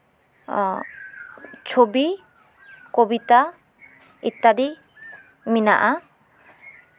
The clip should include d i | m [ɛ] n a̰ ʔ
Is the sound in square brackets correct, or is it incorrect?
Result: incorrect